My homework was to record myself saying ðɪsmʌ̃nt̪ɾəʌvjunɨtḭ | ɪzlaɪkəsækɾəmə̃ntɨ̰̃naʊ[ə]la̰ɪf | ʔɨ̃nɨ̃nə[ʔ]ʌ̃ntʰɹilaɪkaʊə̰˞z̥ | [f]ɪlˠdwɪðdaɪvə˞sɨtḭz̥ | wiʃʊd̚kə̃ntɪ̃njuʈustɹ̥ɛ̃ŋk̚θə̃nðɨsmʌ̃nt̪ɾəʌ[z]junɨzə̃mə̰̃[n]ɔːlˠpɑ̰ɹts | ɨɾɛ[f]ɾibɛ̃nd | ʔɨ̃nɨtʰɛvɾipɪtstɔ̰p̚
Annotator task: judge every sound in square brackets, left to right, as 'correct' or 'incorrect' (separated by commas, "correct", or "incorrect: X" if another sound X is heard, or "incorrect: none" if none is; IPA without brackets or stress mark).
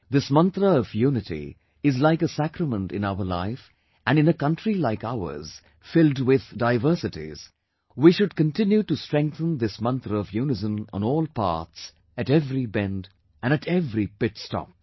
correct, incorrect: k, correct, incorrect: v, correct, incorrect: v